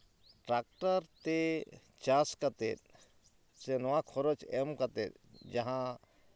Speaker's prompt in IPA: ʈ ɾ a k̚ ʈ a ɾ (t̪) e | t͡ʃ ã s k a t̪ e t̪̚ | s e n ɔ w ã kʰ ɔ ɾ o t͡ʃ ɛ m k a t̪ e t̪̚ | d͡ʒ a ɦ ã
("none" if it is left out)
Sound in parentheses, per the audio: t̪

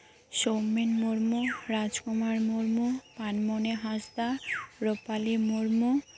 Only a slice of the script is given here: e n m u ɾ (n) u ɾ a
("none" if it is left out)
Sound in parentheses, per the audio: m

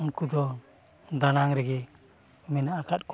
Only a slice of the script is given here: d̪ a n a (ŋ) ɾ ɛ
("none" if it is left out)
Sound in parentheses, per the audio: ŋ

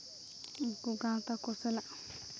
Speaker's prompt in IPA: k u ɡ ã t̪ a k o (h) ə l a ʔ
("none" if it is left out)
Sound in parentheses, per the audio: s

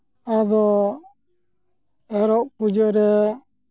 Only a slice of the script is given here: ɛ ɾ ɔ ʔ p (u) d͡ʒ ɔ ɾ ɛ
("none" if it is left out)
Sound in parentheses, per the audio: u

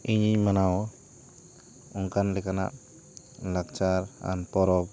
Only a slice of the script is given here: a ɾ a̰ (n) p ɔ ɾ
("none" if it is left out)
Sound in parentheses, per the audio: n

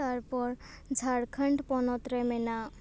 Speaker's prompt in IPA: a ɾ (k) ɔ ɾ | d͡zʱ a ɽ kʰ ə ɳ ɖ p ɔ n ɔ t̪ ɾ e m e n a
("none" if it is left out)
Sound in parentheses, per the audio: p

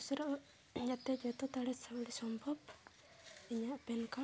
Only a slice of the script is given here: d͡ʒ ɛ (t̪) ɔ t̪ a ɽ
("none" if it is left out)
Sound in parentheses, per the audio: t̪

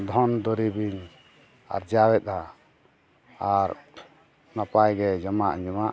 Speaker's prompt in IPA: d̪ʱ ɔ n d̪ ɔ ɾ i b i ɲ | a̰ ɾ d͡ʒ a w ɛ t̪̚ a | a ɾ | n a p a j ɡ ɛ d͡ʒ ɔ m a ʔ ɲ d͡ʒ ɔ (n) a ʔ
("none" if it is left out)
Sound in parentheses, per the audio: m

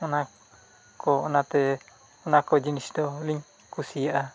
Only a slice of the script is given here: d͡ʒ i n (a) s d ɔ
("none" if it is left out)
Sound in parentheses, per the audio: i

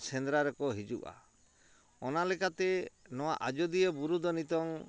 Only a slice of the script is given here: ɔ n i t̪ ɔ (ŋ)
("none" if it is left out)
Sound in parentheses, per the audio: ŋ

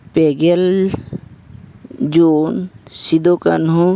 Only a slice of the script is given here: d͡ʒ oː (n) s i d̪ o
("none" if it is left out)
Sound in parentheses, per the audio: n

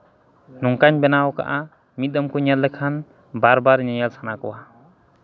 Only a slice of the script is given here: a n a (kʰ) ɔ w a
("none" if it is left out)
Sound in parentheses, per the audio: k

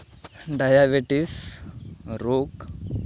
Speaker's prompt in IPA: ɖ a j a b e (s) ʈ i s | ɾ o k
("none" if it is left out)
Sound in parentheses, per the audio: none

